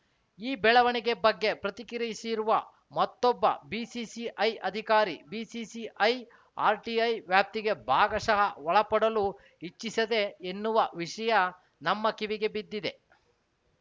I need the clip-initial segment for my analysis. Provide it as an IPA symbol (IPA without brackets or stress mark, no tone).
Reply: iː